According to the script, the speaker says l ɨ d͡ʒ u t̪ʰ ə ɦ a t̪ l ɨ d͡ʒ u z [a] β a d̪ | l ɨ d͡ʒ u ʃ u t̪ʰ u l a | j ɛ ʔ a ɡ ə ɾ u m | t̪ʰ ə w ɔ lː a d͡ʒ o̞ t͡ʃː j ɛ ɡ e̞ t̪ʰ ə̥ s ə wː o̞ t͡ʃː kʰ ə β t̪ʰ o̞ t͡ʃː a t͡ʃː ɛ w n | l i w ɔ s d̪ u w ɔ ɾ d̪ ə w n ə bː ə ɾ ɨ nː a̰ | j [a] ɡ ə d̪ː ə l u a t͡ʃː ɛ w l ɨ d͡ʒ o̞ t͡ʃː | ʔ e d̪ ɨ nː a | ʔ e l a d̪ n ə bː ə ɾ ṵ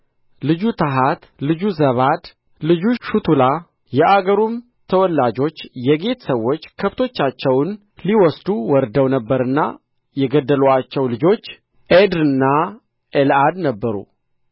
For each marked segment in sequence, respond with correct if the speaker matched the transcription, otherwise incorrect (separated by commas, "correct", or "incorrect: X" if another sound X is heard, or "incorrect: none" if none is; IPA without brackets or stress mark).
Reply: incorrect: ə, incorrect: ɛ